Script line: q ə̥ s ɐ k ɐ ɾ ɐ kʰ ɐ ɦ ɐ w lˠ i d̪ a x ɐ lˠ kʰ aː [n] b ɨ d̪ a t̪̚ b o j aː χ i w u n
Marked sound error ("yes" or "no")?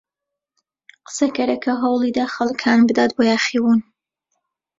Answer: no